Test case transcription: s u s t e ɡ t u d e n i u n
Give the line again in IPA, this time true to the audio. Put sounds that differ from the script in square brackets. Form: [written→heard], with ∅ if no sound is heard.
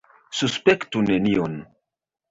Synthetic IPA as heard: s u s [t→p] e [ɡ→k] t u [d→n] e n i [u→o] n